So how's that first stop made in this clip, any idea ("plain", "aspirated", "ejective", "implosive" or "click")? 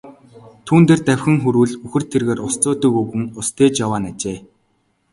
aspirated